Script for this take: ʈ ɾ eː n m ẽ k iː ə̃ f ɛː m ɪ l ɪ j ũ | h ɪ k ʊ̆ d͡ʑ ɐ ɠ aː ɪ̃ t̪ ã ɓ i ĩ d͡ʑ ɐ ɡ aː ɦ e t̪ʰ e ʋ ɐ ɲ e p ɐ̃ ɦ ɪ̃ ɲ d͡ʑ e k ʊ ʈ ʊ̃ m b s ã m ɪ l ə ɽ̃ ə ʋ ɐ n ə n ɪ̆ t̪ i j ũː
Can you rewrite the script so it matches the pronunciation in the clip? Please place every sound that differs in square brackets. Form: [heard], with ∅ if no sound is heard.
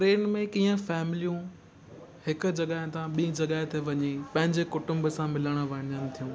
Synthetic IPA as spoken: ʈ ɾ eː n m ẽ k iː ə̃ f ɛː m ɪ l [i] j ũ | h ɪ k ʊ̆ d͡ʑ ɐ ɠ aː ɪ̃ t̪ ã ɓ i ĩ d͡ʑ ɐ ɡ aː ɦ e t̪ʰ e ʋ ɐ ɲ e p ɐ̃ ɦ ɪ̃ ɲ d͡ʑ e k ʊ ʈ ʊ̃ m b s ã m ɪ l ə ɽ̃ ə ʋ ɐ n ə n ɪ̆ [t̪ʰ] i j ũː